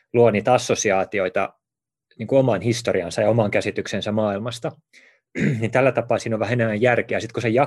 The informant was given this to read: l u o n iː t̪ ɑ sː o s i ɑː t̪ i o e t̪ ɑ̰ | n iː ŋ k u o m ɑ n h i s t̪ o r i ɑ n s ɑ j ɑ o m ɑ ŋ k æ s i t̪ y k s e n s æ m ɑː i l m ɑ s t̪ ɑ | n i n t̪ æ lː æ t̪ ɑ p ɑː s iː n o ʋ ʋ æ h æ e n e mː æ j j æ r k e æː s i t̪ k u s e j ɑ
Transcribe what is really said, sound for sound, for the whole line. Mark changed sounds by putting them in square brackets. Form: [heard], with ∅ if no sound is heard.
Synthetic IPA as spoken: l u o n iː t̪ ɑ sː o s i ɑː t̪ i o [i] t̪ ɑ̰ | n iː ŋ k u o m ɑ n h i s t̪ o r i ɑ n s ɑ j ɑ o m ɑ ŋ k æ s i t̪ y k s e n s æ m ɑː i l m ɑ s t̪ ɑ | n i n t̪ æ lː æ t̪ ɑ p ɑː s iː n o ʋ ʋ æ h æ e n e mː æ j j æ r k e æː s i t̪ k u s e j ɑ